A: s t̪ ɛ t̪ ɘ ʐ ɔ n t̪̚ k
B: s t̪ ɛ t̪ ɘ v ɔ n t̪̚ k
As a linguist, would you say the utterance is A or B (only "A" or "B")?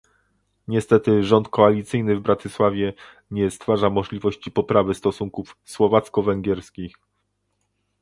A